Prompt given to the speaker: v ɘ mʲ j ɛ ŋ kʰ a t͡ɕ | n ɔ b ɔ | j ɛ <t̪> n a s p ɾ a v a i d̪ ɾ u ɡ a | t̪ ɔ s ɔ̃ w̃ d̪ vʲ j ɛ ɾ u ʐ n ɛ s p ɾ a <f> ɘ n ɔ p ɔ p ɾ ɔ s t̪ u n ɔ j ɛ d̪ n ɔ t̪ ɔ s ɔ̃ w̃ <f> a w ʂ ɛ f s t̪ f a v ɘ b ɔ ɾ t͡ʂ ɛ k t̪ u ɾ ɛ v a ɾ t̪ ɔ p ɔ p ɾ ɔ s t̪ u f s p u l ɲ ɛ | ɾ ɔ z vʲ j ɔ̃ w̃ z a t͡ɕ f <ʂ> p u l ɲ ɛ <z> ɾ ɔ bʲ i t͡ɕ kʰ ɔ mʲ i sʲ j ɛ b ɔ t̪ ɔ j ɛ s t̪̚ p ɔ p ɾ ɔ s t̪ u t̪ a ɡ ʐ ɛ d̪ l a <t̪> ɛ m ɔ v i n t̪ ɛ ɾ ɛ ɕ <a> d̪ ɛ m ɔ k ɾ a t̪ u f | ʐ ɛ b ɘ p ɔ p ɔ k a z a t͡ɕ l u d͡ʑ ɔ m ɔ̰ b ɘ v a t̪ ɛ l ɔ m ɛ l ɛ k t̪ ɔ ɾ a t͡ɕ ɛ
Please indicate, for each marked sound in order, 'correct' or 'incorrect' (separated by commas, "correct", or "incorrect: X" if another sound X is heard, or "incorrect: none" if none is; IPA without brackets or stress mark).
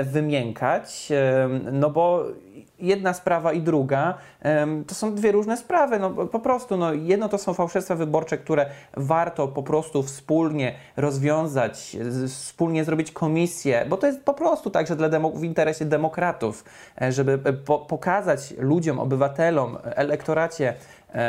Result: incorrect: d̪, incorrect: v, correct, incorrect: s, correct, incorrect: d̪, incorrect: ɛ